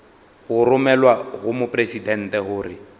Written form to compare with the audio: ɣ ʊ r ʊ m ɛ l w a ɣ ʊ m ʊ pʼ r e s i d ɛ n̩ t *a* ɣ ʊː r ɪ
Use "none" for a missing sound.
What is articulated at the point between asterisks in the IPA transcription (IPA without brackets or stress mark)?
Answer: ɛ